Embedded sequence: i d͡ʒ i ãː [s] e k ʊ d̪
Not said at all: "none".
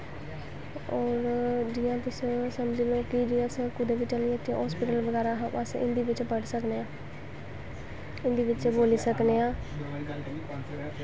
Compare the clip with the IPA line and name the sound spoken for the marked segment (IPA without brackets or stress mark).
s